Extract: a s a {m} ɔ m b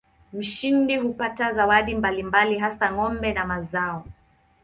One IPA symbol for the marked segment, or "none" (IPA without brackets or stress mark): ŋ